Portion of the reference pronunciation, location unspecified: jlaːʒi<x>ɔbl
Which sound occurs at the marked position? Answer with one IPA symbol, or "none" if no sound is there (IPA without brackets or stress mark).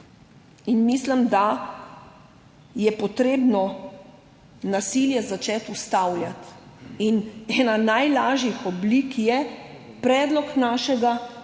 x